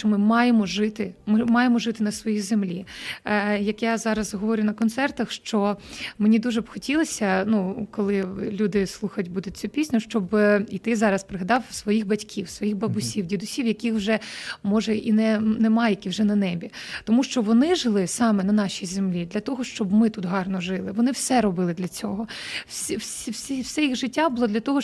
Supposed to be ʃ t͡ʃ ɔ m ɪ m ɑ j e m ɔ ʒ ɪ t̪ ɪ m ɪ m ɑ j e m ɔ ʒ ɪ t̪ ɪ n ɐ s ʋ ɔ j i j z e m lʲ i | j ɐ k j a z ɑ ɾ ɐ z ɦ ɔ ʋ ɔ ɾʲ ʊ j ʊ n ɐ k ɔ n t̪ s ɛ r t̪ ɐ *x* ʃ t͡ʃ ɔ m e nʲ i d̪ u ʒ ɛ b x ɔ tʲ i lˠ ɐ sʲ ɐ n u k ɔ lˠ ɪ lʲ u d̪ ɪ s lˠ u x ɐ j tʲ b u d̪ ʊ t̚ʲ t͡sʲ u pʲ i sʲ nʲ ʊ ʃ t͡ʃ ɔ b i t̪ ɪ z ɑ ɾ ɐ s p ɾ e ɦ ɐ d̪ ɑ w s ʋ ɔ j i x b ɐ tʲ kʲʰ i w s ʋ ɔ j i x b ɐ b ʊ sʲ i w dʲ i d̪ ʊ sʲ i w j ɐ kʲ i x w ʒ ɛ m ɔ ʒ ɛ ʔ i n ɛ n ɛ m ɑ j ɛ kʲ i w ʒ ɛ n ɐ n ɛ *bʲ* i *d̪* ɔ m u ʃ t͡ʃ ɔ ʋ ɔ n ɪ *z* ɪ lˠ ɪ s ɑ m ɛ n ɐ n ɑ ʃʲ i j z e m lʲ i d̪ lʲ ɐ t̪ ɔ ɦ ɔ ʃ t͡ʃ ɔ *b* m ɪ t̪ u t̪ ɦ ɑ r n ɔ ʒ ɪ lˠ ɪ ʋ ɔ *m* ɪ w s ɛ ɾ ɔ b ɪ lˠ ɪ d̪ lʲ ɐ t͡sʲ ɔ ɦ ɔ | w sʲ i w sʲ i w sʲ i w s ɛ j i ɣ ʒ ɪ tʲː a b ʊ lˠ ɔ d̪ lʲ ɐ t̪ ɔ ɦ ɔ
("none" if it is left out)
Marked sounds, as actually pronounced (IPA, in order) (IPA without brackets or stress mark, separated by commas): x, bʲ, t̪, ʒ, b, n